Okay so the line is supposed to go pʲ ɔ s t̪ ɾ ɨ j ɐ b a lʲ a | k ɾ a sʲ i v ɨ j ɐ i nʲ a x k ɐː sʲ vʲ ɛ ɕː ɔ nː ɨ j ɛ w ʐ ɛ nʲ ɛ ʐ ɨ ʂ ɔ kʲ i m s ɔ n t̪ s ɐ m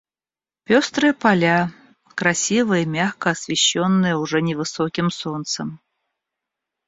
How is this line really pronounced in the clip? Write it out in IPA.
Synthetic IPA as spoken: pʲ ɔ s t̪ ɾ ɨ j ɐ p a lʲ a | k ɾ a sʲ i v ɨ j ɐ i mʲ a x k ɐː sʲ vʲ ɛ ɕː ɔ nː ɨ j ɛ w ʐ ɛ nʲ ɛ v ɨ s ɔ kʲ i m s ɔ n t̪ s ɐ m